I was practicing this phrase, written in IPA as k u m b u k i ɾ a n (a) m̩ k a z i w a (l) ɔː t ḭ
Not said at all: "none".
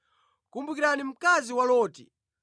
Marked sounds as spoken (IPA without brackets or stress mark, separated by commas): i, l